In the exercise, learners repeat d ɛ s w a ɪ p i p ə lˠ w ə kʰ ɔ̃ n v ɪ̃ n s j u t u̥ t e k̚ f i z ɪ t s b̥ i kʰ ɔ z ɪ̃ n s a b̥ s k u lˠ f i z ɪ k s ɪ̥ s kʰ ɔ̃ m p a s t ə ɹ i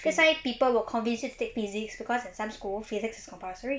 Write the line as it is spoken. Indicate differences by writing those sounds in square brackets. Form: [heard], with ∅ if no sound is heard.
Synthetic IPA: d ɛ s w a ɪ p i p ə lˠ w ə kʰ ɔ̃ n v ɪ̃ n s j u t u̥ t e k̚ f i z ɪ [k] s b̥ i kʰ ɔ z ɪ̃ n s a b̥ s k u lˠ f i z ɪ k s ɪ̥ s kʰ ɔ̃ m p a s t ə ɹ i